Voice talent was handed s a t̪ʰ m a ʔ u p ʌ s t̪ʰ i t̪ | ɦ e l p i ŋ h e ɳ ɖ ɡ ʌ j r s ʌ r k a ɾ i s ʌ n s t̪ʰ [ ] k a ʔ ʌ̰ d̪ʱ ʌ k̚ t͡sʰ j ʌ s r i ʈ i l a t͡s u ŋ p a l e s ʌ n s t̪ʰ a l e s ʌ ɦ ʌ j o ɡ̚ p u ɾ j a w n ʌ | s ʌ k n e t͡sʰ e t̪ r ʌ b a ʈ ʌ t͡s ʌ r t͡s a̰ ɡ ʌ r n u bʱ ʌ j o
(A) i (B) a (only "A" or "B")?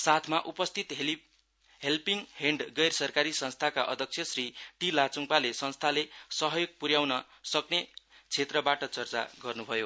B